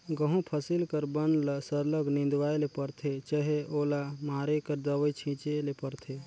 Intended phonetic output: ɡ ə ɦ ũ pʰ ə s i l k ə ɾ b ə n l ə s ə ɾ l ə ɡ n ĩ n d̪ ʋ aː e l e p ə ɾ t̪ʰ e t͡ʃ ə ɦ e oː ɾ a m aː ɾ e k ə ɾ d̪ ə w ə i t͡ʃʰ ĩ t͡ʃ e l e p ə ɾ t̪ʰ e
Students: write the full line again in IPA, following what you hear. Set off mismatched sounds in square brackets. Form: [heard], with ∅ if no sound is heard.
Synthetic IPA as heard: ɡ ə ɦ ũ pʰ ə s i l k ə ɾ b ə n l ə s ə ɾ l ə ɡ n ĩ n d̪ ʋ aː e l e p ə ɾ t̪ʰ e t͡ʃ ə ɦ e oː [l] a m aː ɾ e k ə ɾ d̪ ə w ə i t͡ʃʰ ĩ t͡ʃ e l e p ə ɾ t̪ʰ e